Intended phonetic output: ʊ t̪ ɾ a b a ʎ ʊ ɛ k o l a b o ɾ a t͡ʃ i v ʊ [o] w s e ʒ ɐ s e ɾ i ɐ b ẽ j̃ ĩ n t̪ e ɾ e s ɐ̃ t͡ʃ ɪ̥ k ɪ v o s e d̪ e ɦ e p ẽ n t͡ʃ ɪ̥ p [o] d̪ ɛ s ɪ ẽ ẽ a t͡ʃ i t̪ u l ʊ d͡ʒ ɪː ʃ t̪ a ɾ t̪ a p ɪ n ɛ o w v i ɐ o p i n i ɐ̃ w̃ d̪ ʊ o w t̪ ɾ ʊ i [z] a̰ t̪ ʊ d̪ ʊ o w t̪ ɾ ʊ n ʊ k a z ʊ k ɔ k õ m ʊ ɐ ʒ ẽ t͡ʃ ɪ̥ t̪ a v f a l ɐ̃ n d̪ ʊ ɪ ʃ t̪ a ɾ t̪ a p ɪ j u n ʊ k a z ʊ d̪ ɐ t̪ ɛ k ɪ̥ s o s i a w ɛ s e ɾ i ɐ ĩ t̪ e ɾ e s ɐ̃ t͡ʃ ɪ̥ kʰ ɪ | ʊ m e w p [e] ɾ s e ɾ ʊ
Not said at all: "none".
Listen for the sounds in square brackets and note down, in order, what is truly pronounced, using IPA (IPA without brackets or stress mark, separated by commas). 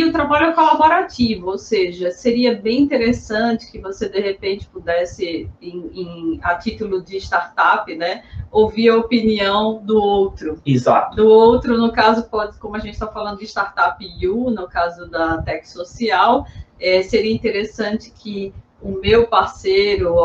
o, u, z, a